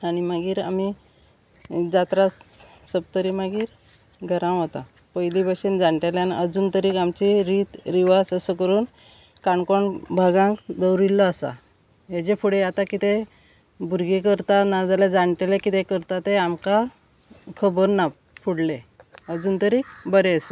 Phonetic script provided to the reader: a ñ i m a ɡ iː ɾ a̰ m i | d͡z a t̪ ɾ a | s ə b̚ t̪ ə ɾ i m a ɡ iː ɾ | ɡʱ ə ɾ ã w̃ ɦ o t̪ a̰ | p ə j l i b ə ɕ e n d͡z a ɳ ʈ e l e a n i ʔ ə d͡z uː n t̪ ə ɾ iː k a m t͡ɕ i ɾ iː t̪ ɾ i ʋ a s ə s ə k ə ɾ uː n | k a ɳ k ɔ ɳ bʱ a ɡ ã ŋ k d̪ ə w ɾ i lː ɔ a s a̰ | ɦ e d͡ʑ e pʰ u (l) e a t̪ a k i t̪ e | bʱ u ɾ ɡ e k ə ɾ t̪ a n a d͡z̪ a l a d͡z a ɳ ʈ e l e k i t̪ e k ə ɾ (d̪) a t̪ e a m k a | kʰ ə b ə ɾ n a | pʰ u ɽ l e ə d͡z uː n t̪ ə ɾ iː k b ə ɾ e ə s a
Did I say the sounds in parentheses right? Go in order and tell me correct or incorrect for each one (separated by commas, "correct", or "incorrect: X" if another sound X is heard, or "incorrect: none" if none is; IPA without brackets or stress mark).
incorrect: ɽ, incorrect: t̪